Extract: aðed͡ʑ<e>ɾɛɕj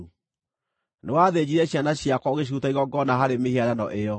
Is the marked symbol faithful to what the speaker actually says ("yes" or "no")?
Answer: no